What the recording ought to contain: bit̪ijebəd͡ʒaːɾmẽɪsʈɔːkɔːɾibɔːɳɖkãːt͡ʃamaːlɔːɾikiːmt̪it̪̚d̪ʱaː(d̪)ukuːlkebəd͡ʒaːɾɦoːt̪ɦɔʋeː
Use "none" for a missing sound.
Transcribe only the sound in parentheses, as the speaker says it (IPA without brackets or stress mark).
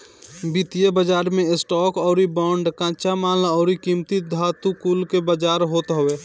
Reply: t̪